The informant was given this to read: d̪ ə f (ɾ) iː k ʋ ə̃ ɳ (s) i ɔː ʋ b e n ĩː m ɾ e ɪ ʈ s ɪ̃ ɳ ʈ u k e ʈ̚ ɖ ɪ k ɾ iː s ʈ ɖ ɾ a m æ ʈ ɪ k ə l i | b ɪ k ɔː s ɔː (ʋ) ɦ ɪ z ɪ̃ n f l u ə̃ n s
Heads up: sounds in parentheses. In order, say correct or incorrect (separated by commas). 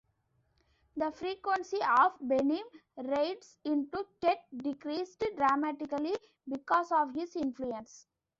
correct, correct, correct